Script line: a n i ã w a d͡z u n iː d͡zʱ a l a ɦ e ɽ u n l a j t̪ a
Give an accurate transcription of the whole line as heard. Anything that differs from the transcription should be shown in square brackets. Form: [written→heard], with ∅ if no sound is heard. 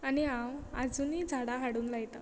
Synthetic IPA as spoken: a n i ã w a d͡z u n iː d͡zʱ a [l→ɽ] a ɦ [e→a] ɽ [u→uː] n l a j t̪ a